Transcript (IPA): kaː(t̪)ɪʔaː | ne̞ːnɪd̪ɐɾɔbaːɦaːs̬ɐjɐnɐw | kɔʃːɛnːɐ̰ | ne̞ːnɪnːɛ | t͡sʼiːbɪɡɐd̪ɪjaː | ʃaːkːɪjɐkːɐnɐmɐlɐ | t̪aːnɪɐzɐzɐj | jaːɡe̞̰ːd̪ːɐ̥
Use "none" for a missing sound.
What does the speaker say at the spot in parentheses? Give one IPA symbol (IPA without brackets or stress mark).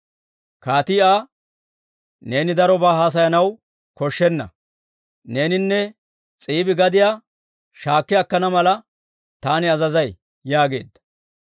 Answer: t̪